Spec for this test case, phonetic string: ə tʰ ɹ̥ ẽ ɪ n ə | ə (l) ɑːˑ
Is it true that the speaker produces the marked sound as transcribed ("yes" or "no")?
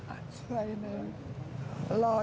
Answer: yes